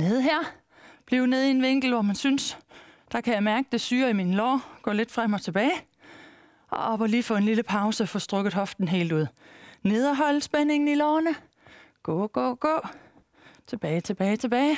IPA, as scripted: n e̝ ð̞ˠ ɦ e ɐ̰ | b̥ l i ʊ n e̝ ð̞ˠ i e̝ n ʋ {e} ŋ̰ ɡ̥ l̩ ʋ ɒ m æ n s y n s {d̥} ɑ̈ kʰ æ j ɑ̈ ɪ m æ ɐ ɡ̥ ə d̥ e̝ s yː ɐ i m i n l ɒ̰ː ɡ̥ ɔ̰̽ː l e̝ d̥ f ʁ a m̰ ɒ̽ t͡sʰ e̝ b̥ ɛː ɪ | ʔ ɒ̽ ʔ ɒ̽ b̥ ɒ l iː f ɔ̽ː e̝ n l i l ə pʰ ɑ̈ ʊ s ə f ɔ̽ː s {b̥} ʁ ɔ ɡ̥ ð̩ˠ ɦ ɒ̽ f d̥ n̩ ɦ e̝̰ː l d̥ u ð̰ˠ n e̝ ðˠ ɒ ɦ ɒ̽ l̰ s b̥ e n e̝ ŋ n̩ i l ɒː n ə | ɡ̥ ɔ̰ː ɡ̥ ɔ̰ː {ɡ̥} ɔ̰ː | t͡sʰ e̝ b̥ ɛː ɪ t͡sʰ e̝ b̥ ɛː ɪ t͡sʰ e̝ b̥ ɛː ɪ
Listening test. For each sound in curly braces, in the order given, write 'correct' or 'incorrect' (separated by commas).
correct, correct, incorrect, correct